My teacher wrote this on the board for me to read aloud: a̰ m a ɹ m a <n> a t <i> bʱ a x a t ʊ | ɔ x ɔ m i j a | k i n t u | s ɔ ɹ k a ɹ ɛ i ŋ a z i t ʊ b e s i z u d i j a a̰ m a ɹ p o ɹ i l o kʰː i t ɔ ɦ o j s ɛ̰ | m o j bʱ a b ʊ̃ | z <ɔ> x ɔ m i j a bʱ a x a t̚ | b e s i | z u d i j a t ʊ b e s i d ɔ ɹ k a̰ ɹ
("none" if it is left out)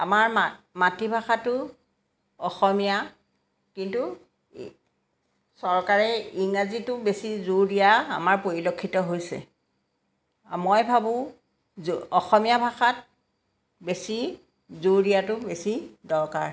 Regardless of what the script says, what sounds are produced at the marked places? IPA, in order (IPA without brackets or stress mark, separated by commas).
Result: m, i, ɔ